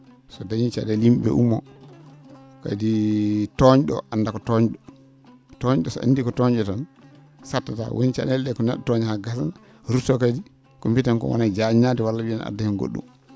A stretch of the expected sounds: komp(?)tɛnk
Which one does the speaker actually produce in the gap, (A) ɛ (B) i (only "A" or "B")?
B